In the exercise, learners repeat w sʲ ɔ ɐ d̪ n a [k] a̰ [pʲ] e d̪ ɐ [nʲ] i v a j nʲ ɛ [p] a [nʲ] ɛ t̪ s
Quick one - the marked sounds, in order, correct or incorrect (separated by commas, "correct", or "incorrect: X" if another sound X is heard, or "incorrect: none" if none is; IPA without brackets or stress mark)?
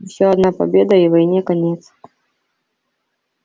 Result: incorrect: p, incorrect: bʲ, incorrect: none, incorrect: k, correct